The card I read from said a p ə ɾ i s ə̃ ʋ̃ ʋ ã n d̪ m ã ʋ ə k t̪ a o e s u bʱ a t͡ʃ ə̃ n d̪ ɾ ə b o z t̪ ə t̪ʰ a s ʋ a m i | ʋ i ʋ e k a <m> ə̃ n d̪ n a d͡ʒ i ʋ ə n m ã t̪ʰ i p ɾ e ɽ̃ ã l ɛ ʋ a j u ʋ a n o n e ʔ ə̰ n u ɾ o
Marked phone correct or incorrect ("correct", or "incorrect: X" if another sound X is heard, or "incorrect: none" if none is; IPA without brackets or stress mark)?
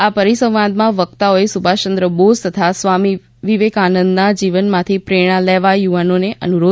incorrect: n